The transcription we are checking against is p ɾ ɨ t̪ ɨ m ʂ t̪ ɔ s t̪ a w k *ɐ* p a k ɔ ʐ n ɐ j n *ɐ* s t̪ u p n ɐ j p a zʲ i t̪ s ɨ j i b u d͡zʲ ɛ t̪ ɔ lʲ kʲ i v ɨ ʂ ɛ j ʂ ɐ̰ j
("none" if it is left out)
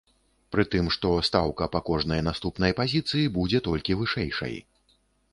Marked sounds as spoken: ɐ, a

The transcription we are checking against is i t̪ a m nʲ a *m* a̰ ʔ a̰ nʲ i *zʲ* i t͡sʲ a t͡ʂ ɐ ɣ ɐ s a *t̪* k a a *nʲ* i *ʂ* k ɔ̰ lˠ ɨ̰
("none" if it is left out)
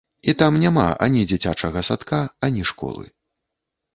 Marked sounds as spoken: m, d͡zʲ, t̪, nʲ, ʂ

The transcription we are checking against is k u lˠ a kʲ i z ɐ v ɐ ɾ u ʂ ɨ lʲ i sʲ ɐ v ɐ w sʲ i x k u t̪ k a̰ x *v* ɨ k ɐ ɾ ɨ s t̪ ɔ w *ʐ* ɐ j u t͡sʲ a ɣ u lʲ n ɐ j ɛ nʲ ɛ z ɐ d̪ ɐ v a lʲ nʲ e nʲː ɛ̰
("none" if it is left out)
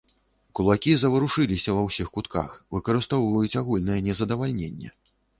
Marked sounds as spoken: v, v

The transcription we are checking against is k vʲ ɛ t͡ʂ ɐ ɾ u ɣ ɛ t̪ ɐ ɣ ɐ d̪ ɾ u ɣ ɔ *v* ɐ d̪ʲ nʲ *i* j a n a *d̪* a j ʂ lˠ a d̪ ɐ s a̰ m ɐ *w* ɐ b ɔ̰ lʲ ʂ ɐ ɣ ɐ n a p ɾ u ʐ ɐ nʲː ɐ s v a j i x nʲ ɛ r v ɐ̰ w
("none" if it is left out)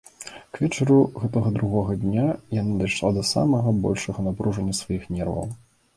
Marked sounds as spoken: ɣ, a, d̪, ɣ

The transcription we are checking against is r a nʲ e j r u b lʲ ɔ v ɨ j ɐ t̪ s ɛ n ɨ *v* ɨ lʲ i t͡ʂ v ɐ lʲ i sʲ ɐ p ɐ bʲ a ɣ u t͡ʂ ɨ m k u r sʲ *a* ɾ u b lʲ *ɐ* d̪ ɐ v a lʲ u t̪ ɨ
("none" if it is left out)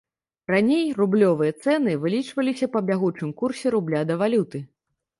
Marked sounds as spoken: v, ɛ, a

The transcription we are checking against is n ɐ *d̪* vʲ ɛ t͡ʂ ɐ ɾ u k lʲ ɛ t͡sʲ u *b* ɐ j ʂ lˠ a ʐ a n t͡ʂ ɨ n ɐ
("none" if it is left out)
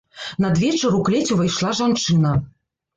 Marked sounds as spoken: d̪, v

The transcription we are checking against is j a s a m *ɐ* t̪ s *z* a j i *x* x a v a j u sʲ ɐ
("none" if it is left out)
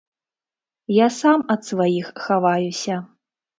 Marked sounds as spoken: ɐ, v, x

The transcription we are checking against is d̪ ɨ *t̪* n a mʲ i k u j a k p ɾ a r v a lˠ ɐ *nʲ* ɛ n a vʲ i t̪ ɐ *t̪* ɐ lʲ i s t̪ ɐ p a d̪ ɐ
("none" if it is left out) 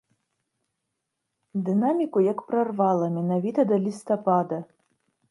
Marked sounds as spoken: none, mʲ, d̪

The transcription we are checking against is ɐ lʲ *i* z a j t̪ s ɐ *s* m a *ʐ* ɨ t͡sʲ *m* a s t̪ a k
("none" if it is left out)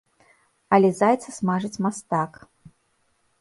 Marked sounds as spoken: ɛ, s, ʐ, m

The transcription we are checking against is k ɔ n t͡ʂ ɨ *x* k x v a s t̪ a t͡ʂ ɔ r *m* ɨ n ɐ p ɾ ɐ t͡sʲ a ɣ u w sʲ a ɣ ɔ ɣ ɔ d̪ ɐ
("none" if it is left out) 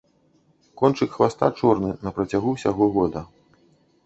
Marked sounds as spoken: none, n

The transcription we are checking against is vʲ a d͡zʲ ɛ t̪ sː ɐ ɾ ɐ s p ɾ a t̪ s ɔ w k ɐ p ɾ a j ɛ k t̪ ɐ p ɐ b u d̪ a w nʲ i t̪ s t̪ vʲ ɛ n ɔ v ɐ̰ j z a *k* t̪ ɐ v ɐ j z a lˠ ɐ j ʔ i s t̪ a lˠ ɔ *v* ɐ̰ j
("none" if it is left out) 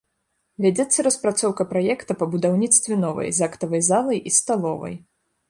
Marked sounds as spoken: k, v

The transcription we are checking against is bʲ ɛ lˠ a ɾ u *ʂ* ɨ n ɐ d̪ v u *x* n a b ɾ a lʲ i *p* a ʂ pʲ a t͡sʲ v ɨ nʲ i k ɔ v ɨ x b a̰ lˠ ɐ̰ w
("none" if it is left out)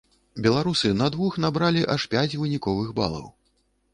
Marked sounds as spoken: s, x, ʔ

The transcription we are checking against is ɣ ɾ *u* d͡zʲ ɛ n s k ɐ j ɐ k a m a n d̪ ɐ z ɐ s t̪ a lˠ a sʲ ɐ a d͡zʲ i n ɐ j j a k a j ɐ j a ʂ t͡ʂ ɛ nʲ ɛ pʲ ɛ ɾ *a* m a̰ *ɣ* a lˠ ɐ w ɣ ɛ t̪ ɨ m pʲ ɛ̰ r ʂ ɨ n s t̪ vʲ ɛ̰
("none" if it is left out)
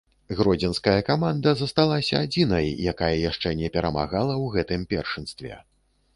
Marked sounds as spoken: ɔ, ɐ, ɣ

